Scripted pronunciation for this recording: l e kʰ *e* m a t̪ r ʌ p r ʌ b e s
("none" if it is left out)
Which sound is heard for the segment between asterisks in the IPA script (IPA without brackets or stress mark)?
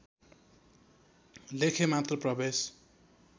e